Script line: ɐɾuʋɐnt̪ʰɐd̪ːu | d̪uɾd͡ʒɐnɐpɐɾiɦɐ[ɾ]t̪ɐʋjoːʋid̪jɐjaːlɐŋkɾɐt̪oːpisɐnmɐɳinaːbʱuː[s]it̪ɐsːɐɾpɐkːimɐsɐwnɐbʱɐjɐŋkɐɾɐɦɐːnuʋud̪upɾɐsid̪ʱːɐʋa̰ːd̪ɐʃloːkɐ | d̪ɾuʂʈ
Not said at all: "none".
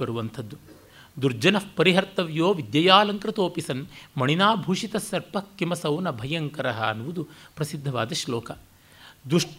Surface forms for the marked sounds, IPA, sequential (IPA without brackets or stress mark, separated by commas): ɾ, ʂ